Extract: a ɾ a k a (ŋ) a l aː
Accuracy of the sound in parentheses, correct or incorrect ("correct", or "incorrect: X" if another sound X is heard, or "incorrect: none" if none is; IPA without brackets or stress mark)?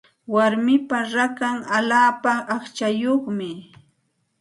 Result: correct